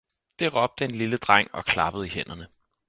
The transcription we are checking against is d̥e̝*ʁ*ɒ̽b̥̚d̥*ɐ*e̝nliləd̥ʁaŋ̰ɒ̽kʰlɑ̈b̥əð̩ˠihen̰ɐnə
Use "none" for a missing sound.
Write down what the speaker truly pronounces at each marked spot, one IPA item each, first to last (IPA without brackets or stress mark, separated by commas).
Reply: ʁ, ə